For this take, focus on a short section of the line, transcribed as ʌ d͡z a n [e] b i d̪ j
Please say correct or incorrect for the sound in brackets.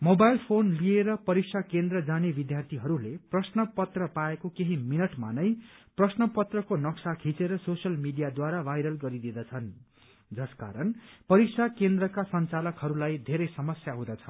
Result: correct